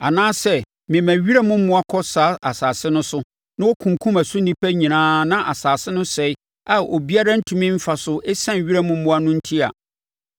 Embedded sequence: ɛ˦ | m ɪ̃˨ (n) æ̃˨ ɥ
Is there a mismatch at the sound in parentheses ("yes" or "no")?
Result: yes